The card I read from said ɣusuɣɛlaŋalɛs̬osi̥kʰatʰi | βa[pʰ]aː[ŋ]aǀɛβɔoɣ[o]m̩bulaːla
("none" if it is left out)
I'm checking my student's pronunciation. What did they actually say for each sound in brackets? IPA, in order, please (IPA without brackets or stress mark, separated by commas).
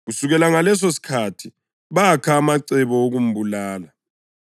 kʰ, m, u